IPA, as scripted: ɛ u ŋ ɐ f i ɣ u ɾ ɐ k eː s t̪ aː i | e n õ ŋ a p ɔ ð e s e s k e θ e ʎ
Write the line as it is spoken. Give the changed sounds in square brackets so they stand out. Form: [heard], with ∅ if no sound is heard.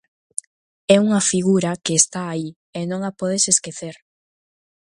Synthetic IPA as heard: ɛ u ŋ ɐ f i ɣ u ɾ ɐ k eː s t̪ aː i | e n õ ŋ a p ɔ ð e s e s k e θ e [ɾ]